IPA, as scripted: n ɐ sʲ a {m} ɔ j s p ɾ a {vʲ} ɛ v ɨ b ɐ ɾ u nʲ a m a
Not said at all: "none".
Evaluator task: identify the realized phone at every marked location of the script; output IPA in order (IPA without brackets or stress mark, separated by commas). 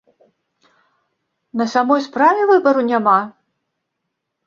m, vʲ